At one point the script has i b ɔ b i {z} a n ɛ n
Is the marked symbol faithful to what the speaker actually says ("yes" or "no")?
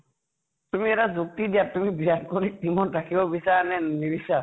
no